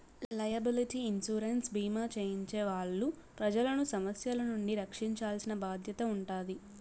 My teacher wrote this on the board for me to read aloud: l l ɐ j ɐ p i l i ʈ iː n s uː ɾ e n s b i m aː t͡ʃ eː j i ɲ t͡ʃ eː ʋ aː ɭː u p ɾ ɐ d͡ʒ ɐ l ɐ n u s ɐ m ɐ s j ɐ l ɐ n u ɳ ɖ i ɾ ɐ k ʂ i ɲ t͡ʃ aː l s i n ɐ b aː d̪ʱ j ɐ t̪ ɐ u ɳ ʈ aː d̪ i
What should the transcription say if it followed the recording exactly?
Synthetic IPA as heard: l l ɐ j ɐ b i l i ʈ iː n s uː ɾ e n s b iː m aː t͡ʃ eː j i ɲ t͡ʃ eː ʋ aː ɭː u p ɾ ɐ d͡ʒ ɐ l ɐ n u s ɐ m ɐ s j ɐ l ɐ n u ɳ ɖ i ɾ ɐ k ʂ i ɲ t͡ʃ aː l s i n ɐ b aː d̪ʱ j ɐ t̪ ɐ u ɳ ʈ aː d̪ i